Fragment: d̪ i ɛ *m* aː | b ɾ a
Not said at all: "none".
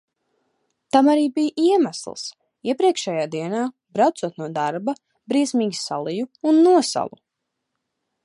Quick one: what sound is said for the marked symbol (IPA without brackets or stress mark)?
n